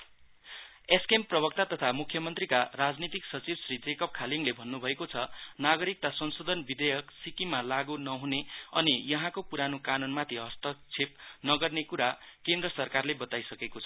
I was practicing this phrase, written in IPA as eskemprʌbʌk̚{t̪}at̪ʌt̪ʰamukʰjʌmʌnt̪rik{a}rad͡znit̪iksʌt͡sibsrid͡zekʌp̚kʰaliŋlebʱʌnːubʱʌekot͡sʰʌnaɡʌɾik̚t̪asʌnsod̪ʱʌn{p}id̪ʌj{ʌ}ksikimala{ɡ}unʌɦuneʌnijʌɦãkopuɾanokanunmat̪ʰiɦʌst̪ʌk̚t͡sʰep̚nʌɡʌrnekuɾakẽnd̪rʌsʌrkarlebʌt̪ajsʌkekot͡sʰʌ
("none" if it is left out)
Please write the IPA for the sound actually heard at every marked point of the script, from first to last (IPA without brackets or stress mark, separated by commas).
t̪, a, b, ʌ, ɡ